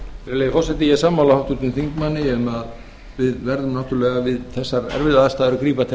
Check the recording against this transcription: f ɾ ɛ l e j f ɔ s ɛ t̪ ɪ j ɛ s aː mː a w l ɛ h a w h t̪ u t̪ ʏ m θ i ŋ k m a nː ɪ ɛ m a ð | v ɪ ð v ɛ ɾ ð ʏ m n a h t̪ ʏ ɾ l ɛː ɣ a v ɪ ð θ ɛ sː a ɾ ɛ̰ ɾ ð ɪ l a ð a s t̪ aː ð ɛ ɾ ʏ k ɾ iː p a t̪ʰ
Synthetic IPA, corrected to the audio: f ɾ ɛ l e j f ɔ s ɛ t̪ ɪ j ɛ s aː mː a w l a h a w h t̪ u t̪ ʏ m θ i ŋ k m a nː ɪ ɛ m a ð | v ɪ ð v ɛ ɾ ð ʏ m n a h t̪ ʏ ɾ l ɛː ɣ a v ɪ ð θ ɛ sː a ɾ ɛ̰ ɾ v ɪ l a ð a s t̪ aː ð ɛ ɾ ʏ k ɾ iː p a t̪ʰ